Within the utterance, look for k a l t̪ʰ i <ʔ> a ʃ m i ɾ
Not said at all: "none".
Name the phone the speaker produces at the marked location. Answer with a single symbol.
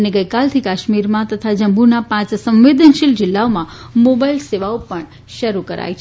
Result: k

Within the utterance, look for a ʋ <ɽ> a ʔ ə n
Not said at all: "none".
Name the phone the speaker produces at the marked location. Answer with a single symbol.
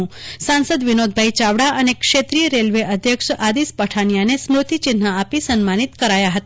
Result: ɽ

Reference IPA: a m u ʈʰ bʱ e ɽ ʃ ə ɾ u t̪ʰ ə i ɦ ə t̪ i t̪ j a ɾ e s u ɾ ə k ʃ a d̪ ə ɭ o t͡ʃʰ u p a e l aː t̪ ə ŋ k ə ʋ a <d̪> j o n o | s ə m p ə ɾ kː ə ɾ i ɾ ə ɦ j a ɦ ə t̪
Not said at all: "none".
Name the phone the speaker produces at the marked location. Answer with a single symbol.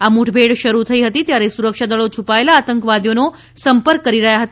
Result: d̪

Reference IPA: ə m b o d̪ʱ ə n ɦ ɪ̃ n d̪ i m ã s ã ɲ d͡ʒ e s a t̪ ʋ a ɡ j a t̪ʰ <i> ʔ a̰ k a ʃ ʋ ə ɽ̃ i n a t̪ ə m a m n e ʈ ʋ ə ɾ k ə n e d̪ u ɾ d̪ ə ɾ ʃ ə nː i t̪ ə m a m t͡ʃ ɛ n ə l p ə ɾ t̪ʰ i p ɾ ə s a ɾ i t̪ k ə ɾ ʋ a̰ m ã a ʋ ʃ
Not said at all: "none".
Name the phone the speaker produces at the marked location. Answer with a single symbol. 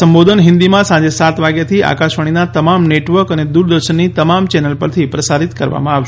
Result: i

